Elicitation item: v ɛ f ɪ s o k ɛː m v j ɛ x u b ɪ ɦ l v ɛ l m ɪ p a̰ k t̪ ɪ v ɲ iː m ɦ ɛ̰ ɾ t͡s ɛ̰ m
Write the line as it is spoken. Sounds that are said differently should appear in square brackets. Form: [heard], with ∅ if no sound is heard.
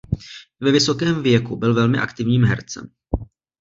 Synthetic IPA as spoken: v ɛ [v] ɪ s o k ɛː m v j ɛ [k] u b ɪ [∅] l v ɛ l m ɪ [ʔ] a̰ k t̪ ɪ v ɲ iː m ɦ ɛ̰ ɾ t͡s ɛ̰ m